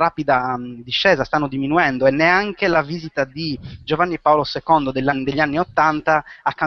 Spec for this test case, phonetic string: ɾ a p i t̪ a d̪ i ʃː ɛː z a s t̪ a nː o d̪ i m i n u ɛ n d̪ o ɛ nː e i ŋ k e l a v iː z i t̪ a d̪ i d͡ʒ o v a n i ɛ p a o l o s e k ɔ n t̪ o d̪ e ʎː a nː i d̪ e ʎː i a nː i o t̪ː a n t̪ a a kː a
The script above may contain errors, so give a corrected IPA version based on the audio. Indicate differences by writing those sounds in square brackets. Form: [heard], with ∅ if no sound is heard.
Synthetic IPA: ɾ a p i [d̪] a d̪ i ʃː ɛː z a s t̪ a nː o d̪ i m i n u ɛ n d̪ o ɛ nː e [a] ŋ k e l a v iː z i t̪ a d̪ i d͡ʒ o v a [nː] i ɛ p a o l o s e k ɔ n [d̪] o d̪ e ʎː a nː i d̪ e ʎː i a nː i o t̪ː a n t̪ a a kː a